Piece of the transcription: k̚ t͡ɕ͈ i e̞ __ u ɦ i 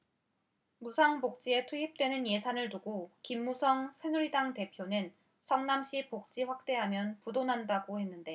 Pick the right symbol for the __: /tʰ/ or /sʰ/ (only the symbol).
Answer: tʰ